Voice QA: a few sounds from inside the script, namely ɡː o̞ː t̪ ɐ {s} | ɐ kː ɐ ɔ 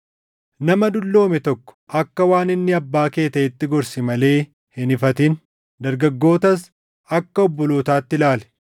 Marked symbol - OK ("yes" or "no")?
yes